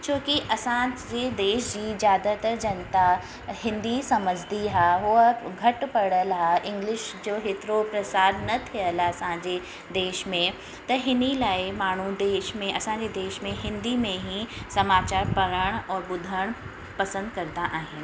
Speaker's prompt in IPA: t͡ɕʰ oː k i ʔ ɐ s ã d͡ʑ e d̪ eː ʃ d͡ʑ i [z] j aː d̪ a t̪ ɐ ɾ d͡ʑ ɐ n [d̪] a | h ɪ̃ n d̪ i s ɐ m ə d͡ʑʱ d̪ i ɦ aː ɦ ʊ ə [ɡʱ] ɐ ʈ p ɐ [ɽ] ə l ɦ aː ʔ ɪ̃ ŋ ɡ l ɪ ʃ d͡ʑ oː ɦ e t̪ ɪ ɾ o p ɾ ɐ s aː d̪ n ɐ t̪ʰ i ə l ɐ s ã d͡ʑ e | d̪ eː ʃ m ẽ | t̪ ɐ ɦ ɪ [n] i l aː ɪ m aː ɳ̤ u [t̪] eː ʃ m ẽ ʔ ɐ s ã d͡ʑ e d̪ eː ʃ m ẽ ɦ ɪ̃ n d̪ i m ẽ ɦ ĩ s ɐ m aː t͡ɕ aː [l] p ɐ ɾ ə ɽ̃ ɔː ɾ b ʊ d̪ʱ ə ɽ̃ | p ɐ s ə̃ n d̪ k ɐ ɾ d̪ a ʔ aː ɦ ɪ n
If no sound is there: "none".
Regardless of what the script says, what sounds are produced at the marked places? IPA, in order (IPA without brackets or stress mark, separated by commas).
z, t̪, ɡʱ, ɽ, n, d̪, ɾ